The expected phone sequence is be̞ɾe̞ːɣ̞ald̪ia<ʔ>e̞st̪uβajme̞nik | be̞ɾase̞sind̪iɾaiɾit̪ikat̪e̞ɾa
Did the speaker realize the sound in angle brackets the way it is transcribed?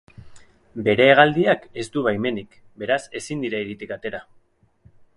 no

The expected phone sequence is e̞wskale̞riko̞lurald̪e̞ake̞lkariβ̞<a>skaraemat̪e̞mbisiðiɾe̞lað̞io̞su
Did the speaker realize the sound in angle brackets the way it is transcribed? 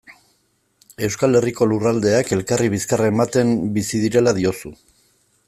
no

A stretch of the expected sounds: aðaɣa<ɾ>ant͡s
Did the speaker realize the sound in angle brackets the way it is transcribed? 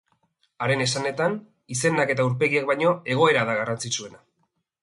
no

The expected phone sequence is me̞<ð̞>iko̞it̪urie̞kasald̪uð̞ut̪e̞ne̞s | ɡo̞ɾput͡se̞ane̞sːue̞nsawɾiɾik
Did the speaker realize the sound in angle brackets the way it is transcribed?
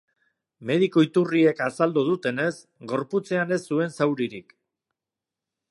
yes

